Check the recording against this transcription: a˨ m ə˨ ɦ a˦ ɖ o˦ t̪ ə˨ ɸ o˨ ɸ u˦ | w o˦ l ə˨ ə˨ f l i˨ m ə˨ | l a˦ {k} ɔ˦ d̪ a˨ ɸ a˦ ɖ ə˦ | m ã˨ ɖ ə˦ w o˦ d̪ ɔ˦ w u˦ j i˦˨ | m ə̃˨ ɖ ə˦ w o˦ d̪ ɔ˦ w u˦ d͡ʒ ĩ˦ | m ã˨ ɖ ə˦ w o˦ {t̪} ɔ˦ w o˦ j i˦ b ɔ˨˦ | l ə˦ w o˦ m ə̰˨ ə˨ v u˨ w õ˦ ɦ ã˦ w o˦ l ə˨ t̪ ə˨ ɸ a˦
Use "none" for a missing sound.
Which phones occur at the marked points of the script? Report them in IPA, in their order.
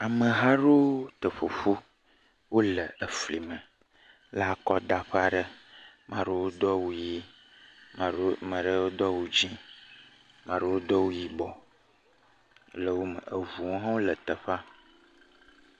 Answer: k, d̪

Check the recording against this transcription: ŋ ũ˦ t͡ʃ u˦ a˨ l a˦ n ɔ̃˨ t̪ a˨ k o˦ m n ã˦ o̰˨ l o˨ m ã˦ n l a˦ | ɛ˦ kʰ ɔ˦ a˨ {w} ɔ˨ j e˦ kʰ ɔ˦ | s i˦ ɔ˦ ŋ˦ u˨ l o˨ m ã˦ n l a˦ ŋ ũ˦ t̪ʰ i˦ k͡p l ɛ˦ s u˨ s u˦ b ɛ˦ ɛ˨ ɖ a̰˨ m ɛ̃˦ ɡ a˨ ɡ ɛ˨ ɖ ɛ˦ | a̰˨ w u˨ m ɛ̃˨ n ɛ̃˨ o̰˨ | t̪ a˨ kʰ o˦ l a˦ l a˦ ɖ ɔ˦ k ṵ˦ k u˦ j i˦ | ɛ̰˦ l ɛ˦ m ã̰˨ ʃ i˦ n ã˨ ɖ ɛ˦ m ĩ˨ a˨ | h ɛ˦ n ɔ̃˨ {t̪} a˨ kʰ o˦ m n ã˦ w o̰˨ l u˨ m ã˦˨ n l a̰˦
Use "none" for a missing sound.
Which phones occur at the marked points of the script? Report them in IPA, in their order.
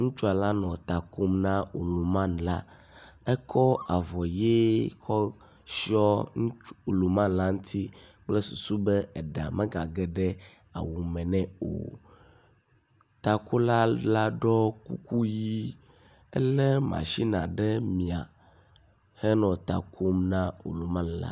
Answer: v, t̪

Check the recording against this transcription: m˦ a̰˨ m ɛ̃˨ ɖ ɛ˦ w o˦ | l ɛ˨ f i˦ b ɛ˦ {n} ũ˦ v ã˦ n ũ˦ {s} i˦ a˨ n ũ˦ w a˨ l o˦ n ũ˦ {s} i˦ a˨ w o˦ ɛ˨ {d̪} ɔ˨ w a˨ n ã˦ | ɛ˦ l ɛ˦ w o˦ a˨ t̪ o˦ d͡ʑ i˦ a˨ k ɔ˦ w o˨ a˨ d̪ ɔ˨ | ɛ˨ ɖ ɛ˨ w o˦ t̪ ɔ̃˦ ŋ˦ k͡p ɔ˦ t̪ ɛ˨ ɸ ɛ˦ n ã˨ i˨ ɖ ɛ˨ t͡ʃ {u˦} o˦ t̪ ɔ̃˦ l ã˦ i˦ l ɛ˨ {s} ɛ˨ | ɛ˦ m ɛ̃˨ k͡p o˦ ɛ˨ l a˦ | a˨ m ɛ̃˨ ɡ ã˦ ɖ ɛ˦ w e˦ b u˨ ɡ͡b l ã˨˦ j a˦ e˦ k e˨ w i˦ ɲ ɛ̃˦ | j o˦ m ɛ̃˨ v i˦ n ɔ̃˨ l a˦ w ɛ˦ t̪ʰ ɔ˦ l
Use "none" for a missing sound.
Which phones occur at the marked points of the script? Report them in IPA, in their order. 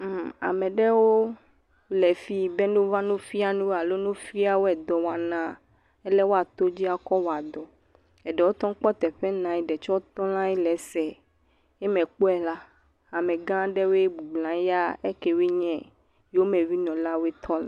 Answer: n, f, f, d̪, ɔ˦, s

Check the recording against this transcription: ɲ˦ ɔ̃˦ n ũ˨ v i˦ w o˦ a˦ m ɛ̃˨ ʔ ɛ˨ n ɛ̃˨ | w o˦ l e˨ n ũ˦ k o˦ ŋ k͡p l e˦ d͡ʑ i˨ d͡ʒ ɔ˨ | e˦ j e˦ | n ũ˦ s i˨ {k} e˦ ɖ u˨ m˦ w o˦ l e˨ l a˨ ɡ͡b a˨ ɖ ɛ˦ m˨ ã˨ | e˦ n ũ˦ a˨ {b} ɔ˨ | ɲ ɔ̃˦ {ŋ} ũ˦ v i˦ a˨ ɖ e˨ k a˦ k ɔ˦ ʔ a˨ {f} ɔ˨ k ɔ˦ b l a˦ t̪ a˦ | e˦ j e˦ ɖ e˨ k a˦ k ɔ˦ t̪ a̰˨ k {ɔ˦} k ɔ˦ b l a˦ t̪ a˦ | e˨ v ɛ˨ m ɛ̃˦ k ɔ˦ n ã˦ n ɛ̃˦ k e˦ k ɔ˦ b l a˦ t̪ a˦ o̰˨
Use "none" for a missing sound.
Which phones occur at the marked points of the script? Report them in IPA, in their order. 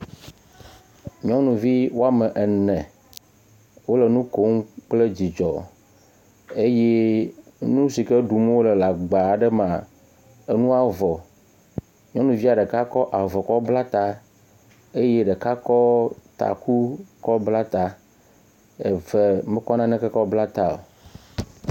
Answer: k, v, n, v, u˦

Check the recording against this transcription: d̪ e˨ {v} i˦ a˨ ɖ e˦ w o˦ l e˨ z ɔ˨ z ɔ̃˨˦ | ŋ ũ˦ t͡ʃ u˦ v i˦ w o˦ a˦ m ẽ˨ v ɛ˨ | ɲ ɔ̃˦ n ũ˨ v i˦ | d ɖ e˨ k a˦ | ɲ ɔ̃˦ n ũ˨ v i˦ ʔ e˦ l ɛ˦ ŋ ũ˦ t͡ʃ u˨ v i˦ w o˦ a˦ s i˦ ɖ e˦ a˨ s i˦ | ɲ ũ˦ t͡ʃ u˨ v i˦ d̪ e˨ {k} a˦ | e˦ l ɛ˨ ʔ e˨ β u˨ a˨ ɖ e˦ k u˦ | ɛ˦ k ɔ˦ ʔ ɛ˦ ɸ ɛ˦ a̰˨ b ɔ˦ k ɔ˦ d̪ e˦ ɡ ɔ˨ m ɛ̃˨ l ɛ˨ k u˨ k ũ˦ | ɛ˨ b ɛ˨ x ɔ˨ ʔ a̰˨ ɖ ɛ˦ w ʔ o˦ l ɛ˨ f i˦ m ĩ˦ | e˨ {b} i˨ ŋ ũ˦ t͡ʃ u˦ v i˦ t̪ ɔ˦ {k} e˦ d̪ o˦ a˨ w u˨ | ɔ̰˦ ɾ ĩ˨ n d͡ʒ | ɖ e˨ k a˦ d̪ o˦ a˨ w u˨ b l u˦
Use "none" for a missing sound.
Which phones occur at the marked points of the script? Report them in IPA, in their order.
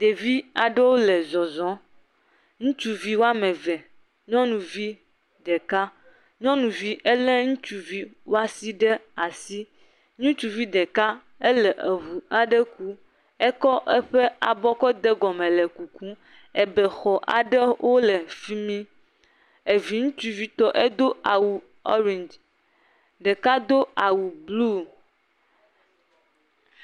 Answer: v, k, v, ʔ

